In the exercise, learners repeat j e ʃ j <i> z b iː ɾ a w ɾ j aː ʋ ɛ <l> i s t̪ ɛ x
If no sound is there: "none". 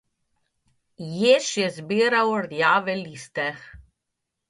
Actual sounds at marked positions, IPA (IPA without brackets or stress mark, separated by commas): ɛ, l